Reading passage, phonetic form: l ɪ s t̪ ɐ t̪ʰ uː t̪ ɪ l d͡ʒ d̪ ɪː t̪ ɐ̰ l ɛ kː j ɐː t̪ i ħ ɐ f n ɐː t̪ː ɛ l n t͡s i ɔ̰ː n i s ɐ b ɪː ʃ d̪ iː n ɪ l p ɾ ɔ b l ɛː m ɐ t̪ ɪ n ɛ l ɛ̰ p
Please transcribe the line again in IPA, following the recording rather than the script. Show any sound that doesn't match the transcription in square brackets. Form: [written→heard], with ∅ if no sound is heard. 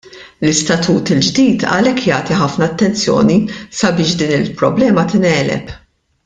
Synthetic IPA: l ɪ s t̪ ɐ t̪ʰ uː t̪ ɪ l d͡ʒ d̪ [ɪː→iː] t̪ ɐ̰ l ɛ kː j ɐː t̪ i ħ ɐ f n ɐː t̪ː ɛ [l→∅] n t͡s [i→j] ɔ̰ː n i s ɐ b ɪː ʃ d̪ iː n ɪ l p ɾ ɔ b l ɛː m ɐ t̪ ɪ n [ɛ→ɛː] l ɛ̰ p